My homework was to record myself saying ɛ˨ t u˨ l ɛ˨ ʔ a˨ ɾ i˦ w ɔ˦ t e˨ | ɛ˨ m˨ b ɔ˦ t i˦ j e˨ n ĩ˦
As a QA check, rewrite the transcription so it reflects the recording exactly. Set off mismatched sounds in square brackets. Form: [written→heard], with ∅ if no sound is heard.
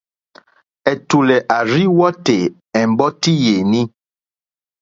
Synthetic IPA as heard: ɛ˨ t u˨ l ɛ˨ ʔ a˨ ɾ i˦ w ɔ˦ t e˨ | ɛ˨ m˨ b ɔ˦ t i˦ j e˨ n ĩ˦